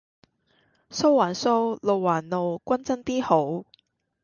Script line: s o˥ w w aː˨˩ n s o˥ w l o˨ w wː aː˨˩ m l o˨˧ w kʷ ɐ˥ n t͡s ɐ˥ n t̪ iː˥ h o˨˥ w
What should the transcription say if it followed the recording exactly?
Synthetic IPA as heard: s o˥ w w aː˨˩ n s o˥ w l o˨ w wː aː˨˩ n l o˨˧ w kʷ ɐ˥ n t͡s ɐ˥ n t̪ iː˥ h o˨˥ w